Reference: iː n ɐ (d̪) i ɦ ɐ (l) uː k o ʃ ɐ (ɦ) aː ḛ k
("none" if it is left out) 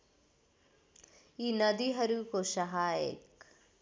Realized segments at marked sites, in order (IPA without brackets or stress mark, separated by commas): d̪, ɾ, ɦ